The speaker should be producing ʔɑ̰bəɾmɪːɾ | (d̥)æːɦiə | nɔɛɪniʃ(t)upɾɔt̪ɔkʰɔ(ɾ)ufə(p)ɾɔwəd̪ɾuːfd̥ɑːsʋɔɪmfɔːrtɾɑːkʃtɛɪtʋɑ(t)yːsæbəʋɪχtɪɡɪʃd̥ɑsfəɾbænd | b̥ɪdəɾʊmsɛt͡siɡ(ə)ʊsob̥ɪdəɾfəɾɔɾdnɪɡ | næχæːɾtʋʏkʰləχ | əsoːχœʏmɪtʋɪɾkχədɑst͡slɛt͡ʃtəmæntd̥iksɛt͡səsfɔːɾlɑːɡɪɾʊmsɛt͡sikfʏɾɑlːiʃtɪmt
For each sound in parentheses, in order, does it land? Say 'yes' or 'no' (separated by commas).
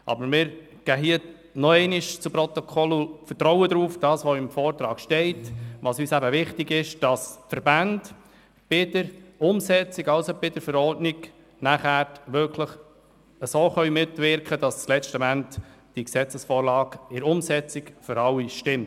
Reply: no, no, no, no, no, no